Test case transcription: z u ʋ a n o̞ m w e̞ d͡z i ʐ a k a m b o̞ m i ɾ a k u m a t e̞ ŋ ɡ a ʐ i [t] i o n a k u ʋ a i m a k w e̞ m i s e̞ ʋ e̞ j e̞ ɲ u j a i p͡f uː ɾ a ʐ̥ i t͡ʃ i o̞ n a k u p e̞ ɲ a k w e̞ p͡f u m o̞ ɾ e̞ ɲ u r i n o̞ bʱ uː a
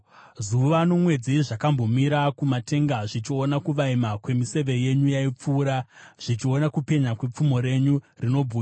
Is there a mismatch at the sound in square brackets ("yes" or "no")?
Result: yes